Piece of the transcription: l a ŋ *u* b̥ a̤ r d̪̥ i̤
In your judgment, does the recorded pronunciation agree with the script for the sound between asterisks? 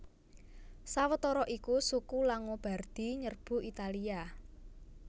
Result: no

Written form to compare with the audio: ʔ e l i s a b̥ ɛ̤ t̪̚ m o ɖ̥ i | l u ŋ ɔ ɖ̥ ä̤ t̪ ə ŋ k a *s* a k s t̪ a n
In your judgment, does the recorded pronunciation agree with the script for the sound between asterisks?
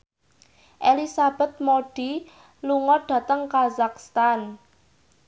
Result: no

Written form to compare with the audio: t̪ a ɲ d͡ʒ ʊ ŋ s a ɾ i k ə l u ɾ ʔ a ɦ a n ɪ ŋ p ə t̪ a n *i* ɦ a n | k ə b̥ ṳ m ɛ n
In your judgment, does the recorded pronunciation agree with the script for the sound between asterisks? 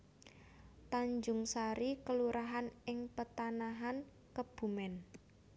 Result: no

